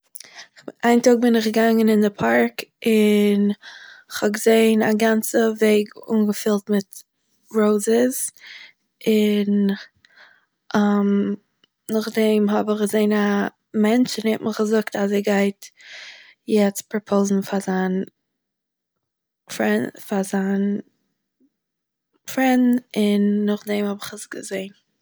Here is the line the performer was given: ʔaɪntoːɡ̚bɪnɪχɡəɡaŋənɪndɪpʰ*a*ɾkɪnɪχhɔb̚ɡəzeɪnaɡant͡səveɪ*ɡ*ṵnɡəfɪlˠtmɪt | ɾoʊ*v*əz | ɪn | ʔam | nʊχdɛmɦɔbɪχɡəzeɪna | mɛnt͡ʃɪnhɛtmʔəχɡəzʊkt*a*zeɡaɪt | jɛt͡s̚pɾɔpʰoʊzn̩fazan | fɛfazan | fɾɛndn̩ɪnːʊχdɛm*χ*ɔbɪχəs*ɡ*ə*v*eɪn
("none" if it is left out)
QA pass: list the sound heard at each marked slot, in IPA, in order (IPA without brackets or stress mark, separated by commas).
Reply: a, ɡ, z, a, h, ɡ, z